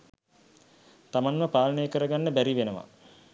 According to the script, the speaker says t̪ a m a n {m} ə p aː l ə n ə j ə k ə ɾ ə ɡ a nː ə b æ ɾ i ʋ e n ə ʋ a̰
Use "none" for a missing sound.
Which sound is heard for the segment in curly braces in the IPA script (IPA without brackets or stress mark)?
m